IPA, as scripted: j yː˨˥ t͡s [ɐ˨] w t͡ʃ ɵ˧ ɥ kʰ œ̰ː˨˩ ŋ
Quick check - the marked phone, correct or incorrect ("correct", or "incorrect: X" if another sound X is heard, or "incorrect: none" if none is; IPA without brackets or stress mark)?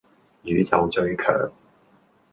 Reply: correct